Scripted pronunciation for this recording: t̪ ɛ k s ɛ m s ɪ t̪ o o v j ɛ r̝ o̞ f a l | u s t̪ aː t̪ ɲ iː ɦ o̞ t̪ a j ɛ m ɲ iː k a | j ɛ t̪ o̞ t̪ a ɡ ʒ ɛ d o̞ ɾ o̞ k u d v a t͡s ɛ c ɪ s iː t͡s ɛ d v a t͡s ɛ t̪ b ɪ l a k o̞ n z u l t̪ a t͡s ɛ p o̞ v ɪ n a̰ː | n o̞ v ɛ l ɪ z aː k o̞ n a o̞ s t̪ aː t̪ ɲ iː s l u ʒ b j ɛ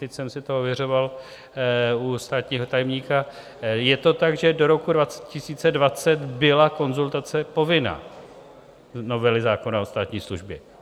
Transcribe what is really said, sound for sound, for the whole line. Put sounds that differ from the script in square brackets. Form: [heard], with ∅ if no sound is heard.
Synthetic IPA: t̪ ɛ [c] s ɛ m s ɪ t̪ o o v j ɛ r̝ o̞ [v] a l | u s t̪ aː t̪ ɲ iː ɦ o̞ t̪ a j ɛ m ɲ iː k a | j ɛ t̪ o̞ t̪ a ɡ ʒ ɛ d o̞ ɾ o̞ k u d v a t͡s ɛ c ɪ s iː t͡s ɛ d v a t͡s ɛ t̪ b ɪ l a k o̞ n z u l t̪ a t͡s ɛ p o̞ v ɪ n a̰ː | n o̞ v ɛ l ɪ z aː k o̞ n a o̞ s t̪ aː t̪ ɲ iː s l u ʒ b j ɛ